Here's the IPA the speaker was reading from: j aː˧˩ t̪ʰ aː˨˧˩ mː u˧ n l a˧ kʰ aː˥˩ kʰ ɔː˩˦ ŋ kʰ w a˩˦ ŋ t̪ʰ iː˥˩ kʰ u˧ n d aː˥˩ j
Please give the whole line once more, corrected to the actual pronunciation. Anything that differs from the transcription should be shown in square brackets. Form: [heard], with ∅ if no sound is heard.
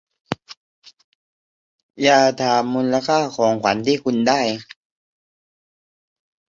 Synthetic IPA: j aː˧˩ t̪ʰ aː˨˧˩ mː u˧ n l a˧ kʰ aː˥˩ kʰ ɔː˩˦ ŋ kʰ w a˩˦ [n] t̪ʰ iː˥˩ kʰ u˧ n d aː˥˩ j